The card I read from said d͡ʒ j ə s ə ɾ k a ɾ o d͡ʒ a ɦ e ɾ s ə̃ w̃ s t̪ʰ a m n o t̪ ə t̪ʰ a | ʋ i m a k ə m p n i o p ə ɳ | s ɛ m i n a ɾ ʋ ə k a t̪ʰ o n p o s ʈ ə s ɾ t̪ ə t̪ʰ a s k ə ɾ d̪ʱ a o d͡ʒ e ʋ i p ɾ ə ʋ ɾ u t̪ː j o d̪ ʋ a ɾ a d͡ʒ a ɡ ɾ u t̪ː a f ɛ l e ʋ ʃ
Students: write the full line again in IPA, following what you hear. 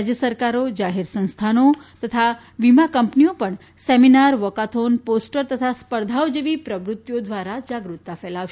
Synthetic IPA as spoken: d͡ʒ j ə s ə ɾ k a ɾ o d͡ʒ a ɦ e ɾ s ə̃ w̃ s t̪ʰ a n o t̪ ə t̪ʰ a | ʋ i m a k ə m p n i o p ə ɳ | s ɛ m i n a ɾ ʋ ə k a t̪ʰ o n p o s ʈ ə ɾ t̪ ə t̪ʰ a s p ə ɾ d̪ʱ a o d͡ʒ e ʋ i p ɾ ə ʋ ɾ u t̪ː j o d̪ ʋ a ɾ a d͡ʒ a ɡ ɾ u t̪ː a f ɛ l a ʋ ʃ